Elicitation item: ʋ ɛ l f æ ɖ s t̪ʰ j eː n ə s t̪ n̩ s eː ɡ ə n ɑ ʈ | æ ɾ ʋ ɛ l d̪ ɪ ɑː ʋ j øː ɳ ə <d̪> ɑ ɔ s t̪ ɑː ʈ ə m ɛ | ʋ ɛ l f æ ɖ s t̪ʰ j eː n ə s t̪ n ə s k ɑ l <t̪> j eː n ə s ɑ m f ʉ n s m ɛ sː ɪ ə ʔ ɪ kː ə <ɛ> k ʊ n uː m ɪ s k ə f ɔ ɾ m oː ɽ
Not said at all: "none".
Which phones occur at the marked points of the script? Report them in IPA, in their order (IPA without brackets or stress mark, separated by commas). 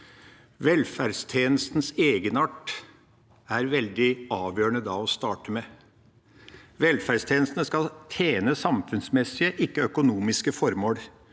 d̪, t̪ʰ, œ